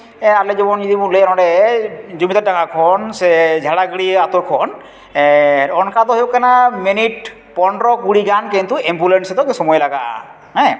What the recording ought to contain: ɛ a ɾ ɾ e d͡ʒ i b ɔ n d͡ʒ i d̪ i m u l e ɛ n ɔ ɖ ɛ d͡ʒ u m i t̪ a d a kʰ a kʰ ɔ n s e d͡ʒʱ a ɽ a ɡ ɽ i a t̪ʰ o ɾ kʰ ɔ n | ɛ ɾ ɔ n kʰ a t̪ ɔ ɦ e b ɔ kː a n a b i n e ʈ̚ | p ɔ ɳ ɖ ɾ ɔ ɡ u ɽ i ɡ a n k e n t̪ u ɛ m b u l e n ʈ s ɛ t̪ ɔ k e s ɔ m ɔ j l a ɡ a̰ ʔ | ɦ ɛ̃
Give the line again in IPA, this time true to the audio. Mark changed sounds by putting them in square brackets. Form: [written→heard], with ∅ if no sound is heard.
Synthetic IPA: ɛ a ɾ [ɾ→l] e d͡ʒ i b ɔ n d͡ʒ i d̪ i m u l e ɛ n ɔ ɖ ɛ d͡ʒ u m i t̪ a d a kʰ a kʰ ɔ n s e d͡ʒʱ a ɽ a ɡ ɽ i a [t̪ʰ→t̪] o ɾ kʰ ɔ n | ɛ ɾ ɔ n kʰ a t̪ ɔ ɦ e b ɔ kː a n a [b→m] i n [e→i] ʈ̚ | p ɔ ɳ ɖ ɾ ɔ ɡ u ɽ i ɡ a n k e n t̪ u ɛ m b u l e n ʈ s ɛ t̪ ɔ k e s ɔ m ɔ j l a ɡ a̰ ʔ | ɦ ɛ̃